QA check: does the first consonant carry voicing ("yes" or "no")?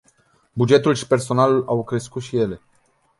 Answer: yes